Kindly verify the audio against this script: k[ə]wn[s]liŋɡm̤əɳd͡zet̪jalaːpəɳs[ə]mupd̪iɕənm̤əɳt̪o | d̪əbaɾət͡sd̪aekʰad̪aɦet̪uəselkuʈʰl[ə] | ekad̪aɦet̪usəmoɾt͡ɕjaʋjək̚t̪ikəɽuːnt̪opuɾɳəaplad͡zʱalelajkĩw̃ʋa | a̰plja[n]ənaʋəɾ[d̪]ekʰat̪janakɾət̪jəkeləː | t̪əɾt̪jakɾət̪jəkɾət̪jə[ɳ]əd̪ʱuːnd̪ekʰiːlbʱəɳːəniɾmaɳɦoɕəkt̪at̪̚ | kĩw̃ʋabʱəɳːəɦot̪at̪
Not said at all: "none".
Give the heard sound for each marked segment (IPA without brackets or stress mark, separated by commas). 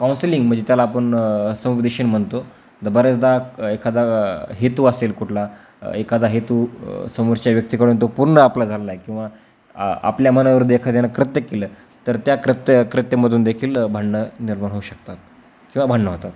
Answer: a, s, ə, a, m, d̪, m